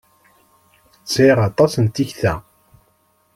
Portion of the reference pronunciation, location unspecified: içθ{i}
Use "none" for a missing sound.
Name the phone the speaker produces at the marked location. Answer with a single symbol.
æ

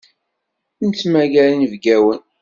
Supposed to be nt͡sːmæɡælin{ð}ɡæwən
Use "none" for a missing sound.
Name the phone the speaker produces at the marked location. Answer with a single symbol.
v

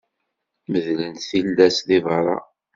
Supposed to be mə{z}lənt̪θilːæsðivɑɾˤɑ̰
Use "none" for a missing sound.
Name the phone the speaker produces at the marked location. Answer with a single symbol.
ð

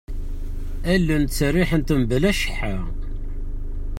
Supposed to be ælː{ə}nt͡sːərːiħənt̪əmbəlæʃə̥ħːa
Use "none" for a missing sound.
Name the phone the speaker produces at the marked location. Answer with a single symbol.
ə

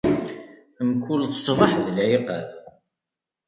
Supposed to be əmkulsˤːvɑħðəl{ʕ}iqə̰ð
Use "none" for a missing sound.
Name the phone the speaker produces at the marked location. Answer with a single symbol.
ʕ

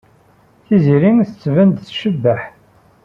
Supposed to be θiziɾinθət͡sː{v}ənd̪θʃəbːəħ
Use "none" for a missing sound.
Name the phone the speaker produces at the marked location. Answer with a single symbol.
v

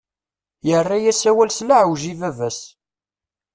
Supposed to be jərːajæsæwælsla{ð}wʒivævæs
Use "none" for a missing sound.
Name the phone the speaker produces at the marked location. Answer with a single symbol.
ʕ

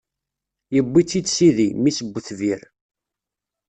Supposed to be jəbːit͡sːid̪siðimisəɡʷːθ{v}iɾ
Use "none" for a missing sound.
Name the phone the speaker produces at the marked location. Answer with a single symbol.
v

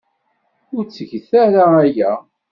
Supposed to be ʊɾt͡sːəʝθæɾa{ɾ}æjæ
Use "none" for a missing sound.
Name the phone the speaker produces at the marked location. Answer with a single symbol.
none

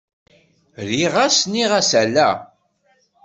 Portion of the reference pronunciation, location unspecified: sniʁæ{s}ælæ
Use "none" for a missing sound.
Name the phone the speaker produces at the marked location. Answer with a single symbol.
s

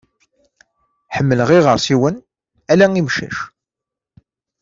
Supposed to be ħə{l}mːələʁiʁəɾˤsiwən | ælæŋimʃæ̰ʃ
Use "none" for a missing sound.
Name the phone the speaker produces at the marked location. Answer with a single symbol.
none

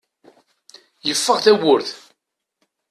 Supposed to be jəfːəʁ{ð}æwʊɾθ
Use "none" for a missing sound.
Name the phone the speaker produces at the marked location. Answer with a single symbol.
θ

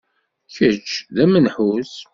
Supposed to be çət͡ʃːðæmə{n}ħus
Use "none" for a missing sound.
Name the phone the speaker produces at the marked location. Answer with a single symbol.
n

